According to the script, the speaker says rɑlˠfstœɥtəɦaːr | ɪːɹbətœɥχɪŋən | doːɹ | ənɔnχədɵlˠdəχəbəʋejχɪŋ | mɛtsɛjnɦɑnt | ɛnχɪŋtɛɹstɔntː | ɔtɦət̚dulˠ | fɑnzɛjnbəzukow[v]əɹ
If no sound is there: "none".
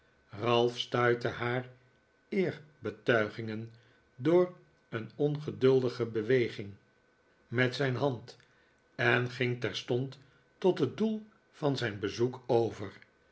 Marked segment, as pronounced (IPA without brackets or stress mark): v